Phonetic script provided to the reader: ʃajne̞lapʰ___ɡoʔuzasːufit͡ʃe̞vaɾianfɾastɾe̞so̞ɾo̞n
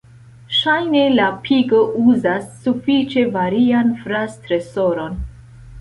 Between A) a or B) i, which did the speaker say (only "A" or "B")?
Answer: B